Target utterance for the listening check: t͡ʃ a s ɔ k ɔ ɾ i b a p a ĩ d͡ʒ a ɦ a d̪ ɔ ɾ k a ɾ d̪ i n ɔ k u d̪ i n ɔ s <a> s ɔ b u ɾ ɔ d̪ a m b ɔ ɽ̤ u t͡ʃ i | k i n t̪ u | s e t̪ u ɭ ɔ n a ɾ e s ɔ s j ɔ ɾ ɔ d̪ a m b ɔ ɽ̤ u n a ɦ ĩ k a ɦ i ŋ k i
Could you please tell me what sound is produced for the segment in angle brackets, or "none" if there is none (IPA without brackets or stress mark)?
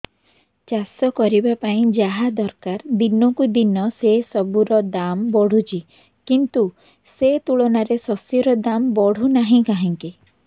e